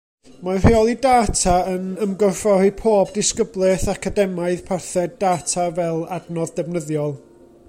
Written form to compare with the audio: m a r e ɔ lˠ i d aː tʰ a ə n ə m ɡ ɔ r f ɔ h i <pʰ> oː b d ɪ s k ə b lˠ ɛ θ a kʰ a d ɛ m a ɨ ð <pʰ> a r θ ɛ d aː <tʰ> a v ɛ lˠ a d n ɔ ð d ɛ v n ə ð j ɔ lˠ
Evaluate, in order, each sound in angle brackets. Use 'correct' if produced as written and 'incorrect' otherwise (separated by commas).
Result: correct, correct, correct